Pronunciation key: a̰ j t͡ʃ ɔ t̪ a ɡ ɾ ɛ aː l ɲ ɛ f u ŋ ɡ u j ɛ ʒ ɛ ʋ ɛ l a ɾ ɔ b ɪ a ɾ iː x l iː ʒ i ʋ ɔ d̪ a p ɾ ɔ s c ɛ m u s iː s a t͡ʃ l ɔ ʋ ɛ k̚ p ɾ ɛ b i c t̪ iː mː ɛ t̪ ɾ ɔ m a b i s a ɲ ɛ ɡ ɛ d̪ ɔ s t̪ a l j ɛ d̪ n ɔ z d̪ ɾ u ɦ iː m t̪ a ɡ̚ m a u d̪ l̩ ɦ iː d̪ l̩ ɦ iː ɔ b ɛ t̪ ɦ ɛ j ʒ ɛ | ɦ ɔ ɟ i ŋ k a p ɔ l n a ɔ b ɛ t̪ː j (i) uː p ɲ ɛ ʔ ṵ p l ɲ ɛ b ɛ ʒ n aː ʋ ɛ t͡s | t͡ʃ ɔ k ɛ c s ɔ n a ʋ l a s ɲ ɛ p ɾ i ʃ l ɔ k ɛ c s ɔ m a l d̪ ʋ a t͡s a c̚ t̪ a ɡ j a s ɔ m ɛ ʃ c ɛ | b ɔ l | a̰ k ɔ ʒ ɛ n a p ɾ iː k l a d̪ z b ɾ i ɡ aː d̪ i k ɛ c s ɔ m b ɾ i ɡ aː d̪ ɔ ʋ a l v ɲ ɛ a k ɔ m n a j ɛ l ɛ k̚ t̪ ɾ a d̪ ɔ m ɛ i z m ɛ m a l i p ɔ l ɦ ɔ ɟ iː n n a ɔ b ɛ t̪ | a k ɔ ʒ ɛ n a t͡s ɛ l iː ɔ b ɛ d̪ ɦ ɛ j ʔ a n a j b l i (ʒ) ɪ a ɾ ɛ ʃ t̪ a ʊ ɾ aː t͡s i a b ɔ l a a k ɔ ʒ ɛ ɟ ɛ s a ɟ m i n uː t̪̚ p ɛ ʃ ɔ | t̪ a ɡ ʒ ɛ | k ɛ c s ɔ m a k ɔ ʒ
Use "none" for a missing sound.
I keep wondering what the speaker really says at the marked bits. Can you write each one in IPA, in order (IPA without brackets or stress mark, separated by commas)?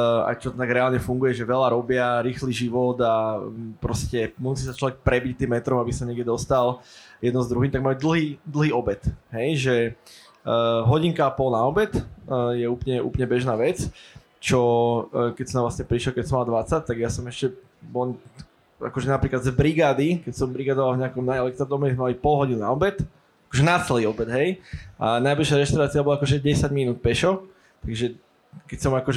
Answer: ɛ, ʃ